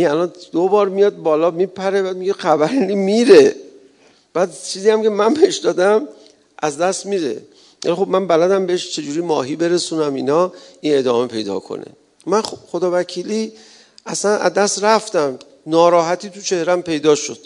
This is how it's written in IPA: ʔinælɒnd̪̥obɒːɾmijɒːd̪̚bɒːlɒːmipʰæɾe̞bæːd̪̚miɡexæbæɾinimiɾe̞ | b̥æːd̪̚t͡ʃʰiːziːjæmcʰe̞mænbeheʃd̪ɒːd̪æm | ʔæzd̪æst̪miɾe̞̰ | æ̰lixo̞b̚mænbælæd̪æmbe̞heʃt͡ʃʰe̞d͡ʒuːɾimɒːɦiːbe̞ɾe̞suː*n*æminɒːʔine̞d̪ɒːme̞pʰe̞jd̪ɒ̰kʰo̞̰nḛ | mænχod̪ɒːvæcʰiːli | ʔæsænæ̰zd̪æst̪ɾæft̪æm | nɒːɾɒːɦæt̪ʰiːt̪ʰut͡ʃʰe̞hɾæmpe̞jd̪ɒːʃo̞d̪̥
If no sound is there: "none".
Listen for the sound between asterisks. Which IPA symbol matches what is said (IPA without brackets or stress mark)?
n